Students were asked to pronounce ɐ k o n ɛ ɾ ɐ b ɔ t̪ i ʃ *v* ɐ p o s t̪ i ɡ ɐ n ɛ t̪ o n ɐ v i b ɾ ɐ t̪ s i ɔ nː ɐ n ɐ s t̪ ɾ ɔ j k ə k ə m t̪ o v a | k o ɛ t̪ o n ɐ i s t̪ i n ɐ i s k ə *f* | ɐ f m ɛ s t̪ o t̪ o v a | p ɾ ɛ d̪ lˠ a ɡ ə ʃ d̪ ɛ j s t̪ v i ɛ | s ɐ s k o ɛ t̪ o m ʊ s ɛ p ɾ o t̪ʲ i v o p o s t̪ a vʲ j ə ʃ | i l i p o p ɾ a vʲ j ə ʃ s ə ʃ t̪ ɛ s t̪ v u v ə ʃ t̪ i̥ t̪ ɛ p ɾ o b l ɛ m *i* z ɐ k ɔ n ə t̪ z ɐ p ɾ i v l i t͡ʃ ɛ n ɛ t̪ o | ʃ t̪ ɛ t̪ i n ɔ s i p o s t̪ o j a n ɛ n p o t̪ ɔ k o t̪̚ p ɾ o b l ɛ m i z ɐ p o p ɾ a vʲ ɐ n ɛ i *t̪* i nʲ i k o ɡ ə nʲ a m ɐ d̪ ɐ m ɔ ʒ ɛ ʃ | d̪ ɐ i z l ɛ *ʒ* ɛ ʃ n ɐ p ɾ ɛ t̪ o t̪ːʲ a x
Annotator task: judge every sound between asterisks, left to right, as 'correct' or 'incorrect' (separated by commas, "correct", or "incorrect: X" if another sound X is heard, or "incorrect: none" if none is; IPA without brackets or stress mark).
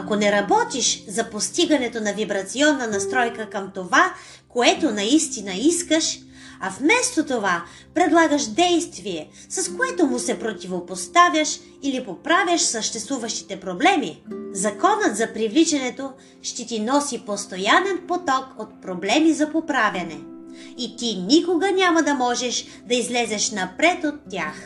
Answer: incorrect: z, incorrect: ʃ, correct, correct, incorrect: z